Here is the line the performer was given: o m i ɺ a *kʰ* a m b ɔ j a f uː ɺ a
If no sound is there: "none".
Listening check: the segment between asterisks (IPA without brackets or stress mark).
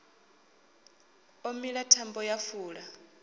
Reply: tʰ